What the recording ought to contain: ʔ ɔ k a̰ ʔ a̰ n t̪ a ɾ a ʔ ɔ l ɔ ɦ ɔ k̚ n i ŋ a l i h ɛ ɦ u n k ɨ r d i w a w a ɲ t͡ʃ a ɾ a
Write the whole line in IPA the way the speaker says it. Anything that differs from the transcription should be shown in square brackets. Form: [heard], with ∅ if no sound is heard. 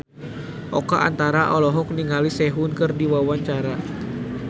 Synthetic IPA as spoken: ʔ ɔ k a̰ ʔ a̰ n t̪ a ɾ a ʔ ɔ l ɔ ɦ ɔ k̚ n i ŋ a l i [s] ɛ ɦ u n k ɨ r d i w a w a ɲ t͡ʃ a ɾ a